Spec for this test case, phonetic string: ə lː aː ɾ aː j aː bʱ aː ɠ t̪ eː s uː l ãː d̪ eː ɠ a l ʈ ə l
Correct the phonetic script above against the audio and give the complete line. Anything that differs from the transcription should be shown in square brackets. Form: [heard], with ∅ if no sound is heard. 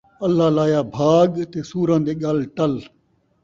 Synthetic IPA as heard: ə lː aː [l] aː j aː bʱ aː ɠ t̪ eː s uː [ɾ] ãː d̪ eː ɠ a l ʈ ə l